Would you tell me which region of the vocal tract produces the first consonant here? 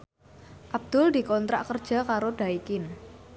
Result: throat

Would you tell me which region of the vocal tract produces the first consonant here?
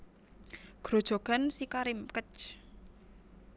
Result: velum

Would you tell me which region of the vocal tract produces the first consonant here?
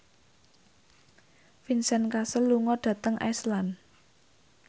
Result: lips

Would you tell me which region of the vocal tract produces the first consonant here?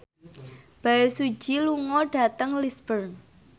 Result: lips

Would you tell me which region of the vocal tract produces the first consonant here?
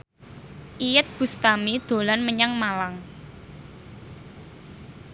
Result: throat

